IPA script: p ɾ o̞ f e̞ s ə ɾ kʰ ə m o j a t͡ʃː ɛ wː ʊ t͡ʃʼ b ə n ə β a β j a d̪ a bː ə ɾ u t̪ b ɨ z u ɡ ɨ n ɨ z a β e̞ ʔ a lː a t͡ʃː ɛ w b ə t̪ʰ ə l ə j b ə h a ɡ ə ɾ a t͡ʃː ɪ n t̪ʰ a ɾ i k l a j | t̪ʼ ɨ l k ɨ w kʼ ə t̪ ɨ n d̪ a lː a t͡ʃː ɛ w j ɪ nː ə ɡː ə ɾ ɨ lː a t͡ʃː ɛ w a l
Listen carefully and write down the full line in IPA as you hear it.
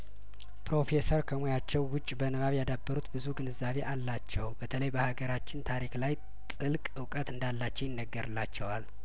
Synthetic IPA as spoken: p ɾ o̞ f e̞ s ə ɾ kʰ ə m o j a t͡ʃː ɛ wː ʊ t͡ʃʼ b ə n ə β a β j a d̪ a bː ə ɾ u t̪ b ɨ z u ɡ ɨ n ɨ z a β e̞ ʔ a lː a t͡ʃː ɛ w b ə t̪ʰ ə l ə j b ə h a ɡ ə ɾ a t͡ʃː ɪ n t̪ʰ a ɾ i k l a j | t̪ʼ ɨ l kʼ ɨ w kʼ ə t̪ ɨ n d̪ a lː a t͡ʃː ɛ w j ɪ nː ə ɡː ə ɾ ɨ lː a t͡ʃː ɛ w a l